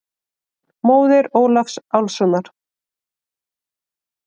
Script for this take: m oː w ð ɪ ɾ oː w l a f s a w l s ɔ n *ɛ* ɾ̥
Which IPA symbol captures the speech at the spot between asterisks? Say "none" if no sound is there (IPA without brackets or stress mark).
a